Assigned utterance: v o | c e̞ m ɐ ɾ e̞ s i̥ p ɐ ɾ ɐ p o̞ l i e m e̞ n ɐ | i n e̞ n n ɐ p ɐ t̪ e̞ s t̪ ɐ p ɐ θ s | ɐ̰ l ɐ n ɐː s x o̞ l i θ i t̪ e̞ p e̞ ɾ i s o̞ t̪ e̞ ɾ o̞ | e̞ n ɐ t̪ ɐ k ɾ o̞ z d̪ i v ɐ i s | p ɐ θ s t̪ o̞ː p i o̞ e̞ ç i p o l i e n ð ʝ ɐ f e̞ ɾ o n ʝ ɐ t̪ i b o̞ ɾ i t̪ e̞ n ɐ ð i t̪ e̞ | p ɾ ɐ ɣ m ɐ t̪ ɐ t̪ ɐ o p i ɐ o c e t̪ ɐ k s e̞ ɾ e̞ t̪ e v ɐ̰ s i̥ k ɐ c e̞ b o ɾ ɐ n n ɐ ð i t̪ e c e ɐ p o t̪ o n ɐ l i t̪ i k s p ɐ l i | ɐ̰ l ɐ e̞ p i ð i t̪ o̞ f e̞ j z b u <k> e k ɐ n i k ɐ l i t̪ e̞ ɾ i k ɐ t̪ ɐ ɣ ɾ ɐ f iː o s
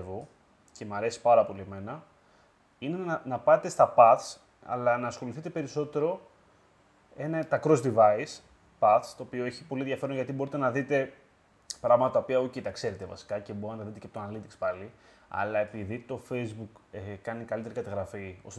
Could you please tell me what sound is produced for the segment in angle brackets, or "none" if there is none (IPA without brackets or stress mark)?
k